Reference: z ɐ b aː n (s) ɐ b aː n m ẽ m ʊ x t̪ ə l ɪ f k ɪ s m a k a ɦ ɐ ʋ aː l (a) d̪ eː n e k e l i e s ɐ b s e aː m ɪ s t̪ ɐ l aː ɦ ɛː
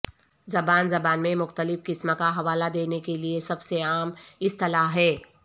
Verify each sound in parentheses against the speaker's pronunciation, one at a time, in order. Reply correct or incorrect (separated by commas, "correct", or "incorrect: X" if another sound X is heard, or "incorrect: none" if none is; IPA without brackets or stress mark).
incorrect: z, correct